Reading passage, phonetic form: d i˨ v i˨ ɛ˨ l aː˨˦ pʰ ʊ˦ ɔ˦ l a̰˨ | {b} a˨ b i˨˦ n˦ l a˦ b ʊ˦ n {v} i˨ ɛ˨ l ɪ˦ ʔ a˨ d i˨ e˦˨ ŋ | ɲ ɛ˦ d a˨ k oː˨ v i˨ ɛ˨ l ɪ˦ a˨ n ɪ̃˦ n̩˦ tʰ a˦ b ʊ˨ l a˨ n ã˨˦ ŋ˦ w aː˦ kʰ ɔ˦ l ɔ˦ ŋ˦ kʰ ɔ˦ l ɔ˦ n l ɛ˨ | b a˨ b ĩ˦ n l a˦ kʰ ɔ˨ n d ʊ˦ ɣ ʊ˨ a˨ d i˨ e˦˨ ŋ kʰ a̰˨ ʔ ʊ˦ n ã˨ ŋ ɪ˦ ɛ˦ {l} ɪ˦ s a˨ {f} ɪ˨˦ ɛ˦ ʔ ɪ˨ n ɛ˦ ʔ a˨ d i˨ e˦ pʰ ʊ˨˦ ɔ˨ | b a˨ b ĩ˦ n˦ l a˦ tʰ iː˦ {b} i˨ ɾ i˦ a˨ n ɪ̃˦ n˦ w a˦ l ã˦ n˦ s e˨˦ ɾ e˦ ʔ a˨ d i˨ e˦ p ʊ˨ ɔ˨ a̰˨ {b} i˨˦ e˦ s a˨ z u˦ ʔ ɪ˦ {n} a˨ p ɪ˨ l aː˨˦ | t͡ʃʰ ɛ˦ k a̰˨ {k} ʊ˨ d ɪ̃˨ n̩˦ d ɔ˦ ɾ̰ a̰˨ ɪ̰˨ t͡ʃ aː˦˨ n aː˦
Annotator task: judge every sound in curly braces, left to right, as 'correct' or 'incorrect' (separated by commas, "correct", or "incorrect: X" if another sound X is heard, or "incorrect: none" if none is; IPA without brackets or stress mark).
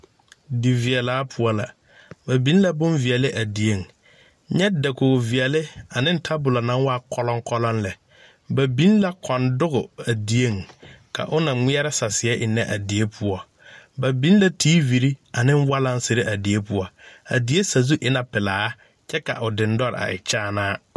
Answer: correct, correct, incorrect: ɾ, incorrect: s, incorrect: v, incorrect: d, correct, incorrect: ʔ